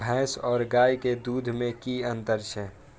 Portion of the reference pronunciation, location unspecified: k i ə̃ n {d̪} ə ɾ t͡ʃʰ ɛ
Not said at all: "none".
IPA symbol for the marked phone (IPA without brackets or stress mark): t̪